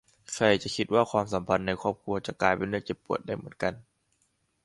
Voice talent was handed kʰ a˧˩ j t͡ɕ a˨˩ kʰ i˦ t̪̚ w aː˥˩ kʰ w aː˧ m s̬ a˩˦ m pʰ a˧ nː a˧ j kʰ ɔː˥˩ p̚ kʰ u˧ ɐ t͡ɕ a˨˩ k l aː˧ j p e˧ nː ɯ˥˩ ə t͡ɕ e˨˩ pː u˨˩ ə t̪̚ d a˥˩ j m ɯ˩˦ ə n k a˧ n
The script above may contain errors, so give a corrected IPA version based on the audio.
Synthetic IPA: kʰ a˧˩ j t͡ɕ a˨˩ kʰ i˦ t̪̚ w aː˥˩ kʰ w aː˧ m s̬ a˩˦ m pʰ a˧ nː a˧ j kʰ ɔː˥˩ p̚ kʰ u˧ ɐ t͡ɕ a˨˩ k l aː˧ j p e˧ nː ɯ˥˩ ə t͡ɕ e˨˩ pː u˨˩ ə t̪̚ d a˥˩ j m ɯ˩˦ ə n k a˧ n